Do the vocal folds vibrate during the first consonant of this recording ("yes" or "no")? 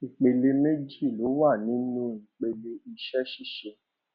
no